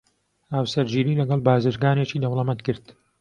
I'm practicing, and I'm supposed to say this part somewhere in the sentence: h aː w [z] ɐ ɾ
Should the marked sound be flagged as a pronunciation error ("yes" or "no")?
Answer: yes